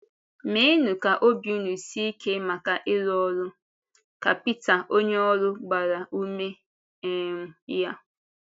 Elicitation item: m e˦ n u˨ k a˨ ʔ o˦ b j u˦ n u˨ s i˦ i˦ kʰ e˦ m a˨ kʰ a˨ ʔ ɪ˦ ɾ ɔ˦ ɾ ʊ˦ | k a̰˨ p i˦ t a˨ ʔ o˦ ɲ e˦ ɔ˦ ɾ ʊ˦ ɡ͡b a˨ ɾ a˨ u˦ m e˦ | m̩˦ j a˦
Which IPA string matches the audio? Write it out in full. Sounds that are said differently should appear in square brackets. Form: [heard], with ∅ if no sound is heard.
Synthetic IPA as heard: m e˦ n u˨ k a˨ ʔ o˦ b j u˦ n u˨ s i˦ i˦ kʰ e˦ m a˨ [k] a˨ ʔ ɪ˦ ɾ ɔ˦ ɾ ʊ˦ | k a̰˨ p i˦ t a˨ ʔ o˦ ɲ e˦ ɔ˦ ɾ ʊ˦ ɡ͡b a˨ ɾ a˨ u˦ m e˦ | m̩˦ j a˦